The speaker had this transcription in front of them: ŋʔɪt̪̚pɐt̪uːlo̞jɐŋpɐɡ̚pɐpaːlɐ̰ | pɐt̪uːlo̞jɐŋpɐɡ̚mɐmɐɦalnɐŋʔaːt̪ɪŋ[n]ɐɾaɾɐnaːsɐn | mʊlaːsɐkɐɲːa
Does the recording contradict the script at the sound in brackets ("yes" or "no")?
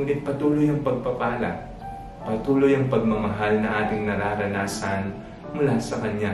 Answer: no